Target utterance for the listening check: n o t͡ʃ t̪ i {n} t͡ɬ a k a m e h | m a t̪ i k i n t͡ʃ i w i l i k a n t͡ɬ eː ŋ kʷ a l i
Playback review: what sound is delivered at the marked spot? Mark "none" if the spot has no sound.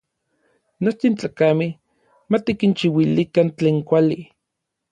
n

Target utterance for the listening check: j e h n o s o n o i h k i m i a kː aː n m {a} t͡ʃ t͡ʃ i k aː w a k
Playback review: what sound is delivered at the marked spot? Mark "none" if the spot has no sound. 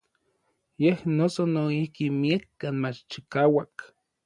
a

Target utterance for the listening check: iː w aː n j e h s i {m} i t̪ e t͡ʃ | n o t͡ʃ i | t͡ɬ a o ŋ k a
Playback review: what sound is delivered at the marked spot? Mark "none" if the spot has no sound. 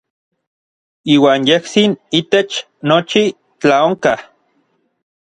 n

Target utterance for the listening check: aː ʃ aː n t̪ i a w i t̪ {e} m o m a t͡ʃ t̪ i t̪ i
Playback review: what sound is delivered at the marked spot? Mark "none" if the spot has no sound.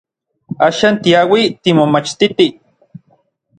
i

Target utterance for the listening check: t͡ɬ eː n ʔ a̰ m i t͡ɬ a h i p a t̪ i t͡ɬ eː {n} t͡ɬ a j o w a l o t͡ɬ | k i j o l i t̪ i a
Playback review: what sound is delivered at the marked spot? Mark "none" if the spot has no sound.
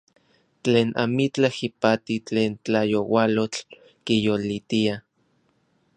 n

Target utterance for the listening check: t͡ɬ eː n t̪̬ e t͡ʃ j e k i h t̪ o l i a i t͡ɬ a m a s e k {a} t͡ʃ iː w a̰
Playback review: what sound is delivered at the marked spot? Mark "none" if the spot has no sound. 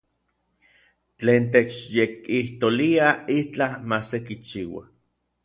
i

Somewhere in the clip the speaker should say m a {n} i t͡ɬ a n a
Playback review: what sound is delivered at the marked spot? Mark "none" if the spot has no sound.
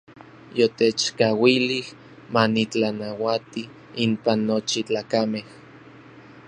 n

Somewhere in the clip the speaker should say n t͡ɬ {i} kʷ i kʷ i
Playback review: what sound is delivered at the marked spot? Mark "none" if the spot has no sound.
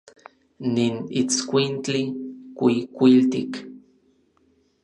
i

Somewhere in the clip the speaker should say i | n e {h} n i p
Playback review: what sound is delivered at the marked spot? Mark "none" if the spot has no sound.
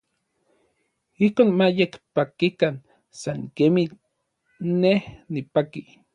h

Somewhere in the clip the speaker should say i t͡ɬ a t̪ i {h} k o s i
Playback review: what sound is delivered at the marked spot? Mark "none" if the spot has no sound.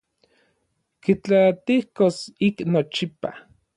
h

